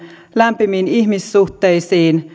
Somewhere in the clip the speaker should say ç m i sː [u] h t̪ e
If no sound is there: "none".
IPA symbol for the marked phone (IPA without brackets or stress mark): u